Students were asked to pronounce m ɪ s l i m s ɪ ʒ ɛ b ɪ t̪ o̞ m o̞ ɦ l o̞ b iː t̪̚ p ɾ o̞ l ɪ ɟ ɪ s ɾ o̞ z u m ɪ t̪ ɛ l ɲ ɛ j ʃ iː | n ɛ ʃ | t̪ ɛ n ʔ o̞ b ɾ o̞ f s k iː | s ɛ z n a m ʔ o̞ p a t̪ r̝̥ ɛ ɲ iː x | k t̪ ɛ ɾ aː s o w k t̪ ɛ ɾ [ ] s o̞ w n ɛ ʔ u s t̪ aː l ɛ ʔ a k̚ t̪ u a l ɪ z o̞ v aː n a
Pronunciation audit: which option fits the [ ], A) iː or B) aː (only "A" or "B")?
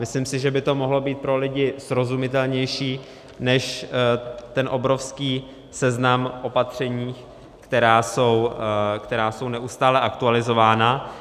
B